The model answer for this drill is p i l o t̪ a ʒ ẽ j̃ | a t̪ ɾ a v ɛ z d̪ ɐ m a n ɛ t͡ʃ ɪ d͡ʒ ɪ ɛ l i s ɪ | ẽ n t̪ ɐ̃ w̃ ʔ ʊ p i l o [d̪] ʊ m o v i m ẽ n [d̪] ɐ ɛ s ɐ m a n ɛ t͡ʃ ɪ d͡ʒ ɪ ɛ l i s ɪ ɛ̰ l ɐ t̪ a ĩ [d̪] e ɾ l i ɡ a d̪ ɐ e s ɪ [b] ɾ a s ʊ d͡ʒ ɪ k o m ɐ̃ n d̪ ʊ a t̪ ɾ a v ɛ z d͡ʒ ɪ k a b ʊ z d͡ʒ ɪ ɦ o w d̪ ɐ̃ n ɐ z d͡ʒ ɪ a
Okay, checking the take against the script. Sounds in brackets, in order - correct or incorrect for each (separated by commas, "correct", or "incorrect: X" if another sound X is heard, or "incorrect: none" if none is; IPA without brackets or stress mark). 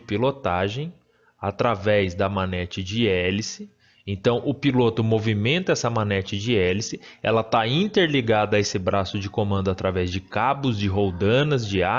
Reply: incorrect: t̪, incorrect: t̪, incorrect: t̪, correct